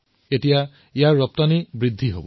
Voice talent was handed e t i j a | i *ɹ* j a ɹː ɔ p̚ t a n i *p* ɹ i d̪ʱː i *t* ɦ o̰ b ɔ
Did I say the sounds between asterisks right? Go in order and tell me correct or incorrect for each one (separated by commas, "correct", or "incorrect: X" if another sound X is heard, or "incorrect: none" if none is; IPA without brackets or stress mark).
incorrect: none, incorrect: b, incorrect: none